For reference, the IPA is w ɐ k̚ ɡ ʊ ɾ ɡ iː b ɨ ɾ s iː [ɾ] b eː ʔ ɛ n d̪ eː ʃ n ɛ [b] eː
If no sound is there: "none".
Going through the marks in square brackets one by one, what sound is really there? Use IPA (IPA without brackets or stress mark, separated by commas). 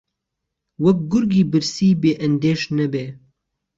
none, b